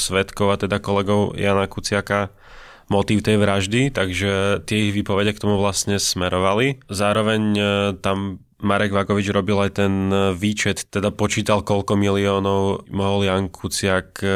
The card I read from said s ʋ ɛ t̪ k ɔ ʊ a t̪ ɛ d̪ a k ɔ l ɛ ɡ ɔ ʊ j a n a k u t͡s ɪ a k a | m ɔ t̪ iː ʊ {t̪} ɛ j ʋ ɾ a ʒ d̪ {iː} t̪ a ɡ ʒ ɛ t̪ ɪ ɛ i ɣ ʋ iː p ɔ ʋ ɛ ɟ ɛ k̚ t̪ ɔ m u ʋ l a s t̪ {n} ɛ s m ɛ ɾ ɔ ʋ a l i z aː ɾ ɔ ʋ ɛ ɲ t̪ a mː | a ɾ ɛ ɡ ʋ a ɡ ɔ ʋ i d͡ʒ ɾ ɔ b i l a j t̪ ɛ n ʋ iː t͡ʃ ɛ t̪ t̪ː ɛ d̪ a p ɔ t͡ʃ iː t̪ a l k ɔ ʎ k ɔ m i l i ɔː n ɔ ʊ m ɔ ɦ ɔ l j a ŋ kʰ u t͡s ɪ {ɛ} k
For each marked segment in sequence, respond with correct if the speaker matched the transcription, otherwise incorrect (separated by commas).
correct, incorrect, incorrect, incorrect